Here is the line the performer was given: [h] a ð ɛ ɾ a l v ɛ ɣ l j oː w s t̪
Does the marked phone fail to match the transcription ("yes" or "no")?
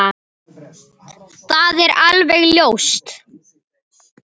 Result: yes